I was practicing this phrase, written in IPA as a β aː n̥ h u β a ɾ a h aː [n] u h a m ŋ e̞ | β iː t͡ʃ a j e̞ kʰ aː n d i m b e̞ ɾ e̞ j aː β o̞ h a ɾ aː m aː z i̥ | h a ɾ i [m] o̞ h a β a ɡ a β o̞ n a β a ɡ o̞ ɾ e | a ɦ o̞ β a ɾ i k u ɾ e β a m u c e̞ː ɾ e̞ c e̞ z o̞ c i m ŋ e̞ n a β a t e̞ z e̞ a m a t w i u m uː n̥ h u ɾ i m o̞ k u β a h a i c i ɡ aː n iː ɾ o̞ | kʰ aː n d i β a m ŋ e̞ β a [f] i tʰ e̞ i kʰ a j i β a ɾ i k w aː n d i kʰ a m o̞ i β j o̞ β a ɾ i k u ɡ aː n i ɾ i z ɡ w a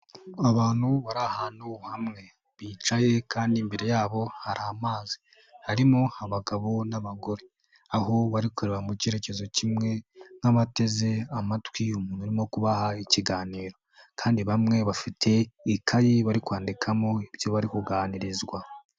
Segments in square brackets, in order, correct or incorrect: correct, correct, correct

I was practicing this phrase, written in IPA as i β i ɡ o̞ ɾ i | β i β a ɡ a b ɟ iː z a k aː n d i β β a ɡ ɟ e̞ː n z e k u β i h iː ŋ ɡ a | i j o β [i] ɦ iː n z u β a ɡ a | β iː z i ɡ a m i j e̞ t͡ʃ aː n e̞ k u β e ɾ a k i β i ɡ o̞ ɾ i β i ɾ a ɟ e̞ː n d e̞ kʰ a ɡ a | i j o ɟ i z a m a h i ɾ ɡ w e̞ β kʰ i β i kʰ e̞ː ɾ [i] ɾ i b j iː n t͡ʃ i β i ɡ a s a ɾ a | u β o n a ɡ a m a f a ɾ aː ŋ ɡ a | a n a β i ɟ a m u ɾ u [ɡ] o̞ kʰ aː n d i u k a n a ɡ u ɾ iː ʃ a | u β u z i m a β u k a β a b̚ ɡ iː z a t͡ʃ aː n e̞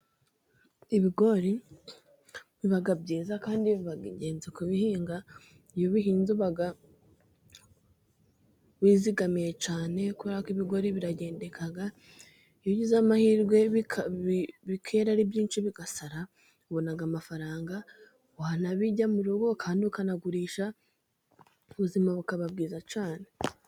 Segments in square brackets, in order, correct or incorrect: correct, incorrect: a, correct

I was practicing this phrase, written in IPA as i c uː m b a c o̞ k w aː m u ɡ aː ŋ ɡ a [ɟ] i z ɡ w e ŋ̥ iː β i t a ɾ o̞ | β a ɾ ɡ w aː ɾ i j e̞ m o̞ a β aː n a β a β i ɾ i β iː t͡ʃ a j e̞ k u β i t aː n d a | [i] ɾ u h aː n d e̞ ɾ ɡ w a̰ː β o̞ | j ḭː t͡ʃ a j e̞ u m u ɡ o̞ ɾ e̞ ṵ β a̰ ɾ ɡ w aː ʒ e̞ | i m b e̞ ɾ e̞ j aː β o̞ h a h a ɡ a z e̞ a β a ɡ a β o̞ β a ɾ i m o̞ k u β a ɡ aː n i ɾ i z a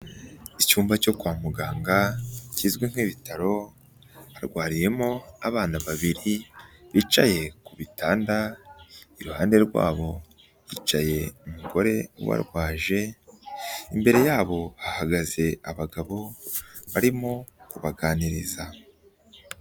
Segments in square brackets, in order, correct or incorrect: incorrect: c, correct

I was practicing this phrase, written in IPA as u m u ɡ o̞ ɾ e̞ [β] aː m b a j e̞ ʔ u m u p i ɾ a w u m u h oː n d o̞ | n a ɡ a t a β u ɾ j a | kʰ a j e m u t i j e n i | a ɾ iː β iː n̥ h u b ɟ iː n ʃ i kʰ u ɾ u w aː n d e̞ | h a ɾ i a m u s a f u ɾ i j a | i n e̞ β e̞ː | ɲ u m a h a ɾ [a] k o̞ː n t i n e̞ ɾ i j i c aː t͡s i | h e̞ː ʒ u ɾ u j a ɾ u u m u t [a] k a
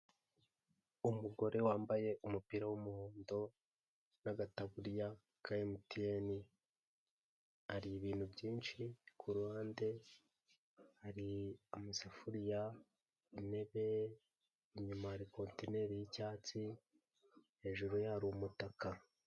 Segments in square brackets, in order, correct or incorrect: incorrect: w, incorrect: i, correct

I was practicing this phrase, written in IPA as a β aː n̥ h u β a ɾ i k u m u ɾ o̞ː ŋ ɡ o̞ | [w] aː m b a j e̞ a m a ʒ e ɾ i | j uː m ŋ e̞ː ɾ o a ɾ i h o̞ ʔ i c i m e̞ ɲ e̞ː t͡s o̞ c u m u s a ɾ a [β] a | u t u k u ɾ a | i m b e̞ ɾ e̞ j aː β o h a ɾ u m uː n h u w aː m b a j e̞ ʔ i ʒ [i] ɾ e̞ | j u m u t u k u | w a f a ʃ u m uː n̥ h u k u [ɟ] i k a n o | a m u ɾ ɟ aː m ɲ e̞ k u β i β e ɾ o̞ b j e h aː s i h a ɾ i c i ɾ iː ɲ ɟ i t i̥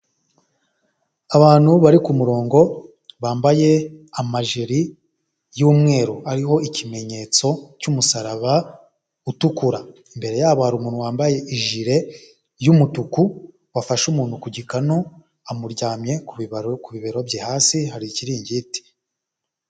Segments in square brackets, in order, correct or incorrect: incorrect: β, correct, correct, correct

